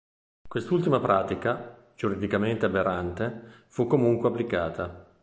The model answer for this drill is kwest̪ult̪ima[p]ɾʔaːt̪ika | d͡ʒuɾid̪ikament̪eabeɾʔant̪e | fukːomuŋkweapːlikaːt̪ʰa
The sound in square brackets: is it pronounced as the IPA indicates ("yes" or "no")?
yes